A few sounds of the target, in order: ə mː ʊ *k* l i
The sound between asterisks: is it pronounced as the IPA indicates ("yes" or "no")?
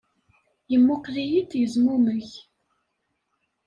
no